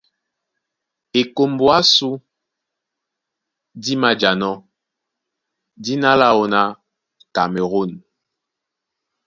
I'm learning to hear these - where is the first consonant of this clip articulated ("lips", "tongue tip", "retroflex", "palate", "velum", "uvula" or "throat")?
velum